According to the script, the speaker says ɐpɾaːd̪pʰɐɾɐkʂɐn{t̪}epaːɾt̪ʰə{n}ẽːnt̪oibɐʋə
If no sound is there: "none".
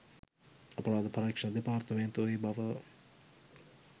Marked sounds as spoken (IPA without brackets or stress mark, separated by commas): d̪, m